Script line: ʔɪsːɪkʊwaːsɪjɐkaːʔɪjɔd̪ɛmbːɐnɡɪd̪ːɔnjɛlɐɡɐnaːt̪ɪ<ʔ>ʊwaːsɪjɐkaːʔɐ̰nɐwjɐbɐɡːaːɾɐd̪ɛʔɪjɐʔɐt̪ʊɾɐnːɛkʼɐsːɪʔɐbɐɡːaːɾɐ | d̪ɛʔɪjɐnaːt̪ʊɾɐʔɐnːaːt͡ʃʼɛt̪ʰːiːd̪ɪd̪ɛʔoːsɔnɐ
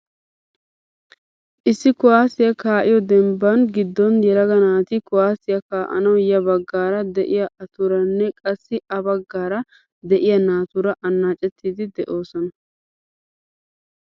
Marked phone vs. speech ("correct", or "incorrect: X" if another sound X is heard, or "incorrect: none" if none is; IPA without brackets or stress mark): incorrect: k